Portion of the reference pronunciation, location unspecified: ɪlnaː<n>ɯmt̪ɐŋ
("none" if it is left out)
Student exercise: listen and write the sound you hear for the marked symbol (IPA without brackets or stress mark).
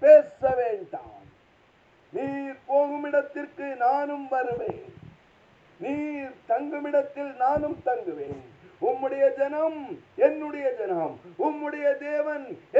n